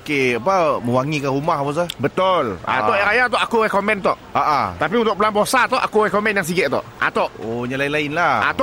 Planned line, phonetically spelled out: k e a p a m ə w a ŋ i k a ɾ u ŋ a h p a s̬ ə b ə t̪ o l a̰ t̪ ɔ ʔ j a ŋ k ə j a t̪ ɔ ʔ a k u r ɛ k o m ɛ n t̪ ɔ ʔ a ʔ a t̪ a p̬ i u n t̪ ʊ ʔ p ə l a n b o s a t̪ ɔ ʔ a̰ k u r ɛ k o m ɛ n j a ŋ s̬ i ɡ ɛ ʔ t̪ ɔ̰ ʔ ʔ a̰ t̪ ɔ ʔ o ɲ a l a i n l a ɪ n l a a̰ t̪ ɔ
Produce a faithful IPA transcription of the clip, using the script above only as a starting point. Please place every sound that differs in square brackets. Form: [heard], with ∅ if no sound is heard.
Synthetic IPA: k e a p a m ə w a ŋ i k a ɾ u [m] a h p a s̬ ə b ə t̪ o l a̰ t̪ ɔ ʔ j a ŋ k [a] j a t̪ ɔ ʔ a k u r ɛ k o m ɛ n t̪ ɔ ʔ a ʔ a t̪ a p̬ i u n t̪ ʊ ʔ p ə l a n b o s a t̪ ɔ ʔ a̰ k u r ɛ k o m ɛ n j a ŋ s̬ i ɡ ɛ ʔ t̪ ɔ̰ ʔ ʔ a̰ t̪ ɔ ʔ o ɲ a l a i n l a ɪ n l a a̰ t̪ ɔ